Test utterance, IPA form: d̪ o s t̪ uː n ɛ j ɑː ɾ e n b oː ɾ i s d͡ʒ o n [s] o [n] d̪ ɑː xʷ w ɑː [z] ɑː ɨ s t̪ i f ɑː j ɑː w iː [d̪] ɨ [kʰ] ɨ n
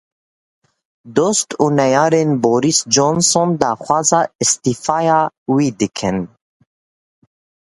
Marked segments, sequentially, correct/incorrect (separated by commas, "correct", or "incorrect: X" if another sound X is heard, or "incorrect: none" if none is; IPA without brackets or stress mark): correct, correct, correct, correct, correct